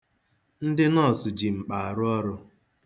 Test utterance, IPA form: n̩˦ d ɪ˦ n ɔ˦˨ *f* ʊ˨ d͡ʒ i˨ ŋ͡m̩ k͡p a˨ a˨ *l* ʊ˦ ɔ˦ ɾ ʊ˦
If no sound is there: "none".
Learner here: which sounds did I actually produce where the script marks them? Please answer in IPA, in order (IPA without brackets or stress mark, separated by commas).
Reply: s, ɾ